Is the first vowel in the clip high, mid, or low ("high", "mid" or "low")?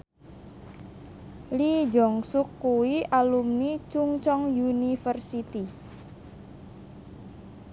high